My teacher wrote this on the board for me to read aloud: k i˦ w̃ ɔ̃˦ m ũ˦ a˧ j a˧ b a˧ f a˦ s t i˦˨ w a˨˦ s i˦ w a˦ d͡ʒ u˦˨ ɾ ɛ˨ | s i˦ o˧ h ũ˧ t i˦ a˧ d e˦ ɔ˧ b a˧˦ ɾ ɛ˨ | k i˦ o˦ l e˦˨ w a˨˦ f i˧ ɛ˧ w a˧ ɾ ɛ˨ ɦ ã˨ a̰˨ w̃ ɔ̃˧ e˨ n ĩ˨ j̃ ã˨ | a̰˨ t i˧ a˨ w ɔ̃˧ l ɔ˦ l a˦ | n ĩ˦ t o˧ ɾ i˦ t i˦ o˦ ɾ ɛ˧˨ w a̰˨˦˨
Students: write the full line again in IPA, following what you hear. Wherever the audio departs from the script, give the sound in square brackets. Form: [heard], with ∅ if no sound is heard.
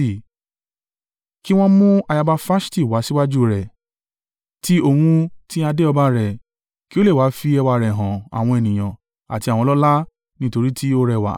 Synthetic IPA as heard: k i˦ w̃ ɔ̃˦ m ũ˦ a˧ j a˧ b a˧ f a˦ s t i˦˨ w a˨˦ s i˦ w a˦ d͡ʒ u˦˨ ɾ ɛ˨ | [t] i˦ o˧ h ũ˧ t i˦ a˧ d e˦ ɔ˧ b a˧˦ ɾ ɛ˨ | k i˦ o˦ l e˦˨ w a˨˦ f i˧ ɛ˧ w a˧ ɾ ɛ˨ ɦ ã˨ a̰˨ w̃ ɔ̃˧ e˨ n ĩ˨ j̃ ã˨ | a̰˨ t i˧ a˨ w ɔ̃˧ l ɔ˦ l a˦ | n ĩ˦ t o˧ ɾ i˦ t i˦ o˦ ɾ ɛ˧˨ w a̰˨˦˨